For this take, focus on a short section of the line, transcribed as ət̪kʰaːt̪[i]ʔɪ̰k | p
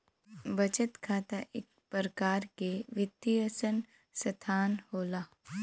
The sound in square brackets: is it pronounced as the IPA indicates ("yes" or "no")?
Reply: no